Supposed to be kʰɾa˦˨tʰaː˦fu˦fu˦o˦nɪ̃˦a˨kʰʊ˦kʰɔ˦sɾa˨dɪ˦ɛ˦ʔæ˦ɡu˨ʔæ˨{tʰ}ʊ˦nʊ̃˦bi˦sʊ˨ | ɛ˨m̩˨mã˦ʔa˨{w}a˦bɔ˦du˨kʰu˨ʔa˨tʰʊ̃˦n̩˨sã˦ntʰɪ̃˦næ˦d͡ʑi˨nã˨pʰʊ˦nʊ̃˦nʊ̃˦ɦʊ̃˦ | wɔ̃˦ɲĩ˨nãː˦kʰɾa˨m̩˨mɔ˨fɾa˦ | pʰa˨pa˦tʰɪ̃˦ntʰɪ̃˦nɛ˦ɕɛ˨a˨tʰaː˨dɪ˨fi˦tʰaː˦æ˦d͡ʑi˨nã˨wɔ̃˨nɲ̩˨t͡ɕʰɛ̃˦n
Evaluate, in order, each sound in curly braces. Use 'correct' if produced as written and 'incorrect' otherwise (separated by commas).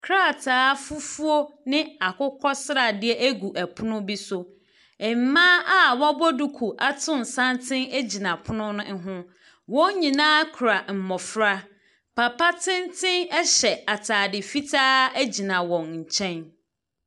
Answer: incorrect, correct